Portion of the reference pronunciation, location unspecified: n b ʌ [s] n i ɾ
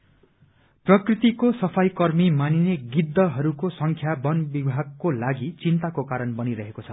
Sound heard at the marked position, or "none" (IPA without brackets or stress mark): none